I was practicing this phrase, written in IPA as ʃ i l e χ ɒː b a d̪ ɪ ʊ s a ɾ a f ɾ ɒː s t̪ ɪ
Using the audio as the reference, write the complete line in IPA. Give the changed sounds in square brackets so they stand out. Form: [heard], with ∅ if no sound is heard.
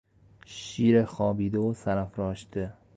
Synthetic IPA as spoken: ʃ i [ɾ] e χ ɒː b [i] d̪ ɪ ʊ s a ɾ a f ɾ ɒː [ʃ] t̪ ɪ